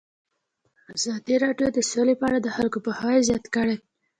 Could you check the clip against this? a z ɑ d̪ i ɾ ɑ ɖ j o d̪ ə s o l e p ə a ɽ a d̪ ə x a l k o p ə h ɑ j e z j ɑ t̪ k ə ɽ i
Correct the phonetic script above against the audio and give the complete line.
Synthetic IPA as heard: a z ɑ d̪ i ɾ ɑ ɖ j o d̪ ə s o l e p ə a ɽ a d̪ ə x a l k o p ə h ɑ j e z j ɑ t̪ k ə ɽ e

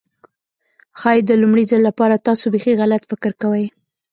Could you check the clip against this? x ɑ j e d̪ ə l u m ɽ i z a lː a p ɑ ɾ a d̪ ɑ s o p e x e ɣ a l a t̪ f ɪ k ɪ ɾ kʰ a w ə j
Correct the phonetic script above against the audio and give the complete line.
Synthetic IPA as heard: x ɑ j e d̪ ə l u m ɽ i z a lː a p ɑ ɾ a t̪ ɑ s o b e x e ɣ a l a t̪ f ɪ k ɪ ɾ k a w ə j

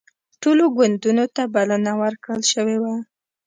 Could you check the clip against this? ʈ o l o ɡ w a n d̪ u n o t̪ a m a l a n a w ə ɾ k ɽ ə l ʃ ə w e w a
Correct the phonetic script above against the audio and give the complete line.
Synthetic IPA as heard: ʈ o l o ɡ w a n d̪ u n o t̪ a b a l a n a w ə ɾ k ɽ ə l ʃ ə w e w a

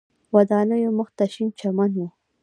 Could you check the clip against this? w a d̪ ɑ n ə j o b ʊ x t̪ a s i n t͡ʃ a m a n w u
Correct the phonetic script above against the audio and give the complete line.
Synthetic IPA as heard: w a d̪ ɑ n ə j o m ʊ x t̪ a ʃ i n t͡ʃ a m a n w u

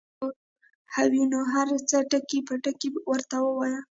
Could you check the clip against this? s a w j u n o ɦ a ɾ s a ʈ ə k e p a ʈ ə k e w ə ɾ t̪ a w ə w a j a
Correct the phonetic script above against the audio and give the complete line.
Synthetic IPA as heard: h a w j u n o ɦ a ɾ t͡s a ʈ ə k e p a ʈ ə k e w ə ɾ t̪ a w ə w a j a

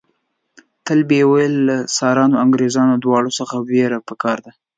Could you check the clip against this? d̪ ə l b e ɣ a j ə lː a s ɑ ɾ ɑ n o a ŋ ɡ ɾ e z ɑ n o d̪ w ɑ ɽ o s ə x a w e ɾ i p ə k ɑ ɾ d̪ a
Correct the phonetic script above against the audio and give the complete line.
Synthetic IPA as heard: t̪ ə l b e w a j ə lː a s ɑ ɾ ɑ n o a ŋ ɡ ɾ e z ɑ n o d̪ w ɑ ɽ o s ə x a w e ɾ a p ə k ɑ ɾ d̪ a

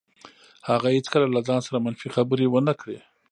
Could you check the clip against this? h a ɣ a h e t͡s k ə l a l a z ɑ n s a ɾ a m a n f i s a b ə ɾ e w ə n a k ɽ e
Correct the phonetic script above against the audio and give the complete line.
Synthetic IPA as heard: h a ɣ a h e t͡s k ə l a l a z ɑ n s a ɾ a m a n f i x a b ə ɾ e w ə n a k ɽ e

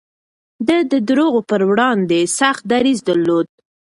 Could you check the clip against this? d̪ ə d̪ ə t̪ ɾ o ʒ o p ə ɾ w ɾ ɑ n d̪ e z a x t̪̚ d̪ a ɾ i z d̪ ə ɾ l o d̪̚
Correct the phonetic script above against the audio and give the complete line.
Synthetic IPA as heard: d̪ ə d̪ ə d̪ ɾ o ɣ o p ə ɾ w ɽ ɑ n d̪ e s a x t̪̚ d̪ a ɾ i z d̪ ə ɾ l o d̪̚

